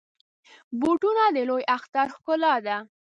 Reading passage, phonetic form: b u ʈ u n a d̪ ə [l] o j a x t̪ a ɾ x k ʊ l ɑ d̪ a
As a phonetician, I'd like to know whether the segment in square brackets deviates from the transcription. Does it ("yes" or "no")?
no